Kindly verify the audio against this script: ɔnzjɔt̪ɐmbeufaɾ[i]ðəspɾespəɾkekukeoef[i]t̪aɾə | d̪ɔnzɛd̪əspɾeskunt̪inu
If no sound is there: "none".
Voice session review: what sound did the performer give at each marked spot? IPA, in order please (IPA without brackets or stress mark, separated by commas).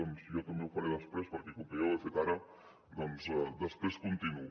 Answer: e, e